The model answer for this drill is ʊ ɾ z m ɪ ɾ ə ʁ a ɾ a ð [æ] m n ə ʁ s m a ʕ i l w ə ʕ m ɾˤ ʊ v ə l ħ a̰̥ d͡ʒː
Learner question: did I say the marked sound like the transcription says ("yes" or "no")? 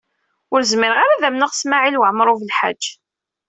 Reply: yes